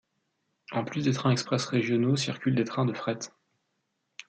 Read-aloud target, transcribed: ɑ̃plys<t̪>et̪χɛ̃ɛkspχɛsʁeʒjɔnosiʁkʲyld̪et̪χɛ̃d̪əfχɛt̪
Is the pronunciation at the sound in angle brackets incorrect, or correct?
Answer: incorrect